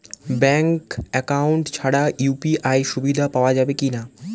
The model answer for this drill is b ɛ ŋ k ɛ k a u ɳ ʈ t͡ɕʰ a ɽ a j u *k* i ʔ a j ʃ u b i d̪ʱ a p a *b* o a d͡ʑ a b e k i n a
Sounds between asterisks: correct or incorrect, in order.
incorrect: p, incorrect: none

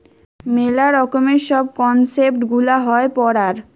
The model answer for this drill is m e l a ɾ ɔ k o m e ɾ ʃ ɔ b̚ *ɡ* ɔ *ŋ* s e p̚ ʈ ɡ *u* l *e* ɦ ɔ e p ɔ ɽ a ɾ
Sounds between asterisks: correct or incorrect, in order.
incorrect: k, incorrect: n, correct, incorrect: a

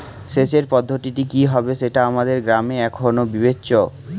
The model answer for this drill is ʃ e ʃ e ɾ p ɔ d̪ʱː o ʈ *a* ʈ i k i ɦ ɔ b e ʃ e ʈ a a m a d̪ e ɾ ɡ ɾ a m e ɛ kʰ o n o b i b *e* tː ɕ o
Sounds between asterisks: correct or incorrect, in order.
incorrect: i, correct

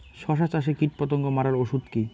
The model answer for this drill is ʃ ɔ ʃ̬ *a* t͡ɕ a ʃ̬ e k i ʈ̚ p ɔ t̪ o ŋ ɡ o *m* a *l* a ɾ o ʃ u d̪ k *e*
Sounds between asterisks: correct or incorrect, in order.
correct, correct, incorrect: ɾ, incorrect: i

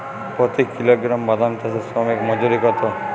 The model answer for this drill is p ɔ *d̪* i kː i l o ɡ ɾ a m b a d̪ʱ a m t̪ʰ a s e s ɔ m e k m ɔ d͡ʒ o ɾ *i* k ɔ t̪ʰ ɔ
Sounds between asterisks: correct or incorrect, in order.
incorrect: t̪, correct

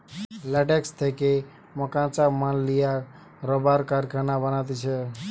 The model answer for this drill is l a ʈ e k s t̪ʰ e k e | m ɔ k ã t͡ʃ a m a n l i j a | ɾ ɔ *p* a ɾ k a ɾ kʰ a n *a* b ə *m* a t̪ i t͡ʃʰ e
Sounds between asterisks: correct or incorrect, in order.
incorrect: b, correct, incorrect: n

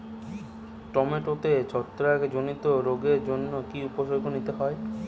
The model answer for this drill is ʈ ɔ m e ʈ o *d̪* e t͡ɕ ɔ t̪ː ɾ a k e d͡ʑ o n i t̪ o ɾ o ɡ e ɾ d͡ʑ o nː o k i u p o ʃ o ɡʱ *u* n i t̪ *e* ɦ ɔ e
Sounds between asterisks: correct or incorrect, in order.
incorrect: t̪, incorrect: o, correct

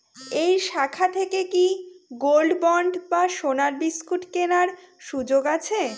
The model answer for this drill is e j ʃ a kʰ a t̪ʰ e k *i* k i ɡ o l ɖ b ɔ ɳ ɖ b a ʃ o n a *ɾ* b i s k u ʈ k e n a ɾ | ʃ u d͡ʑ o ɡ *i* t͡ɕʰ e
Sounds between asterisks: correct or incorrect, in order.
incorrect: e, correct, incorrect: a

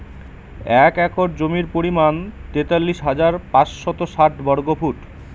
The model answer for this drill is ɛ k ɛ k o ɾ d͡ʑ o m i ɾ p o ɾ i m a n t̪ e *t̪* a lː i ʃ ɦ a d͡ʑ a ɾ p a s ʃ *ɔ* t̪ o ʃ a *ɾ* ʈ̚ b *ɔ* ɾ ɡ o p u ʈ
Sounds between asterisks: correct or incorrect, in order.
correct, correct, incorrect: none, correct

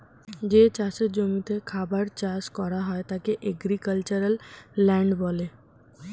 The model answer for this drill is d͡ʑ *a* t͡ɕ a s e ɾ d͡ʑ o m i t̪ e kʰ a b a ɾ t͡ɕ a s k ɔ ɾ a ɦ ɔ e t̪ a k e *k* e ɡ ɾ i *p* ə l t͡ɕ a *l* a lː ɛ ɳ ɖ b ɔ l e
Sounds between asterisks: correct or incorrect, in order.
incorrect: e, incorrect: ʔ, incorrect: k, incorrect: ɾ

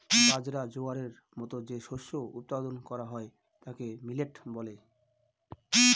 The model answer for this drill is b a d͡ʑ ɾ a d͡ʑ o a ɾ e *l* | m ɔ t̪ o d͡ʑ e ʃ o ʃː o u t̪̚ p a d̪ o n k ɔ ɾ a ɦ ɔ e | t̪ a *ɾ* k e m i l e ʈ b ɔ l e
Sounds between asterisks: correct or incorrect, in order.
incorrect: ɾ, incorrect: none

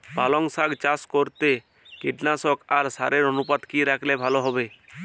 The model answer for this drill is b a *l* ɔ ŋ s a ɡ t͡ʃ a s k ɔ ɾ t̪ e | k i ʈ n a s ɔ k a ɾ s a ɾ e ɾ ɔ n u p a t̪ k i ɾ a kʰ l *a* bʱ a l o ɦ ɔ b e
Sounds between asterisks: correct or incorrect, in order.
correct, incorrect: e

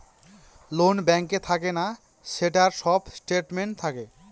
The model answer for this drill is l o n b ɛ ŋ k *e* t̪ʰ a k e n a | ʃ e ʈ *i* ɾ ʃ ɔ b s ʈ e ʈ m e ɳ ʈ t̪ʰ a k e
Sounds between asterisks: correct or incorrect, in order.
correct, incorrect: a

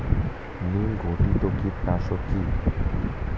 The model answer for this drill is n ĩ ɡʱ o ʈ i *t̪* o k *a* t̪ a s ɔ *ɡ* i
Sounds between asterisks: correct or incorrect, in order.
correct, incorrect: i, incorrect: k

